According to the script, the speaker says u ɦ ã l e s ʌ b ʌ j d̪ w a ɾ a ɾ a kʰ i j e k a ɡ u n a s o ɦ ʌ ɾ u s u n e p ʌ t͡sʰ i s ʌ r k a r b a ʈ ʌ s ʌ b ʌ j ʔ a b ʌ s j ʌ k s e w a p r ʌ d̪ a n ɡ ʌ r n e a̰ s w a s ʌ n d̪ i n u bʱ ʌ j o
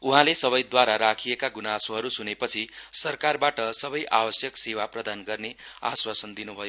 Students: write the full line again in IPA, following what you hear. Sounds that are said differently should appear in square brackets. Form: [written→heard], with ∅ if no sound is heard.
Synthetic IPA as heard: u ɦ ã l e s ʌ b ʌ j d̪ w a ɾ a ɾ a kʰ i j e k a ɡ u n a s o ɦ ʌ ɾ u s u n e p ʌ t͡sʰ i s ʌ r k a r b a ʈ ʌ s ʌ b ʌ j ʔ a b ʌ s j ʌ k s e w a p r ʌ d̪ a n ɡ ʌ r n e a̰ s w a s ʌ n d̪ i n u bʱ ʌ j o

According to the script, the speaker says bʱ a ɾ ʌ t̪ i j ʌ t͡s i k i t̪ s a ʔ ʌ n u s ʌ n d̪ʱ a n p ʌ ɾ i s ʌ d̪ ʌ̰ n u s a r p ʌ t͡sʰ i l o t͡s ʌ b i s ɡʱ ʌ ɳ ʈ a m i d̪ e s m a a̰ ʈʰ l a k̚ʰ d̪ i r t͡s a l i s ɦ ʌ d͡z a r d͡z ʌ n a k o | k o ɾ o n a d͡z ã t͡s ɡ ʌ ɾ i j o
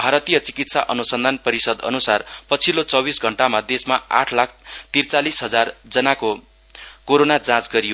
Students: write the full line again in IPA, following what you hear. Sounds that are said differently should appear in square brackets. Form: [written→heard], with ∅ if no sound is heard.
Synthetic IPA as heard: bʱ a ɾ ʌ t̪ i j ʌ t͡s i k i t̪ s a ʔ ʌ n u s ʌ n d̪ʱ a n p ʌ ɾ i s ʌ d̪ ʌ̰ n u s a r p ʌ t͡sʰ i l o t͡s ʌ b i s ɡʱ ʌ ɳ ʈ a m [i→a] d̪ e s m a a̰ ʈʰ l a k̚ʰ [d̪→t̪] i r t͡s a l i s ɦ ʌ d͡z a r d͡z ʌ n a k o | k o ɾ o n a d͡z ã t͡s ɡ ʌ ɾ i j o

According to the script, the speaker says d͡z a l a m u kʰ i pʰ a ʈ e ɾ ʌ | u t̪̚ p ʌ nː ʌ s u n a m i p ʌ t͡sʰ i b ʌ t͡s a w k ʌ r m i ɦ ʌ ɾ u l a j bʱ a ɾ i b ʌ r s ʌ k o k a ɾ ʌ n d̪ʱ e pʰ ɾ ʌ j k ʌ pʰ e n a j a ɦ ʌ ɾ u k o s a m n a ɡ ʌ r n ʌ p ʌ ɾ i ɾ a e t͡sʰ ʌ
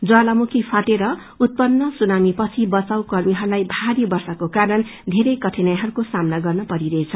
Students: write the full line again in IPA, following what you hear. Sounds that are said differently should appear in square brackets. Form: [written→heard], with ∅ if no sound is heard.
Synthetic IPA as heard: d͡z a l a m u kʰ i pʰ a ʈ e ɾ ʌ | u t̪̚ p ʌ nː ʌ s u n a m i p ʌ t͡sʰ i b ʌ t͡s a w k ʌ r m i ɦ ʌ ɾ u l a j bʱ a ɾ i b ʌ r s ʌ k o k a ɾ ʌ n d̪ʱ e [pʰ→∅] ɾ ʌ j k ʌ [pʰ→ʈʰ] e n a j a ɦ ʌ ɾ u k o s a m n a ɡ ʌ r n ʌ p ʌ ɾ i ɾ [a→ʌ] e t͡sʰ ʌ

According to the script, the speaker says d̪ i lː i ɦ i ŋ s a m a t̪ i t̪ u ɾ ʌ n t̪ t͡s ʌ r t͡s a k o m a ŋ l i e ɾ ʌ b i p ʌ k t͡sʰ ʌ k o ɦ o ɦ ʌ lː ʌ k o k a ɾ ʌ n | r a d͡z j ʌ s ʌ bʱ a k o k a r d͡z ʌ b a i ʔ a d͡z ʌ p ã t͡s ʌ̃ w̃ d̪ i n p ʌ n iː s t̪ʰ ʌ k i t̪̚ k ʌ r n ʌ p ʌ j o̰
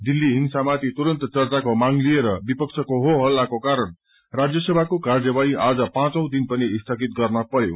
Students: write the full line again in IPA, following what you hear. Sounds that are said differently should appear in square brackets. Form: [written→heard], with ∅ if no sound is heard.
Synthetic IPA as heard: d̪ i lː i ɦ i ŋ s a m a t̪ i t̪ u ɾ ʌ n t̪ t͡s ʌ r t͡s a k o m a ŋ l i e ɾ ʌ b i p ʌ k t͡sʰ ʌ k o ɦ o ɦ ʌ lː [ʌ→a] k o k a ɾ ʌ n | r a d͡z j ʌ s ʌ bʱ a k o k a r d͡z ʌ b a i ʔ a d͡z ʌ p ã t͡s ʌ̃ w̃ d̪ i n p ʌ n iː s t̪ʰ ʌ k i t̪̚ [k→ɡ] ʌ r n ʌ p ʌ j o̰

